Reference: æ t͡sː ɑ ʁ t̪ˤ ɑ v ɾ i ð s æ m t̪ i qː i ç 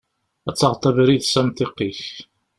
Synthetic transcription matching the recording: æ t͡sː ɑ ʁ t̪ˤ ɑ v ɾ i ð s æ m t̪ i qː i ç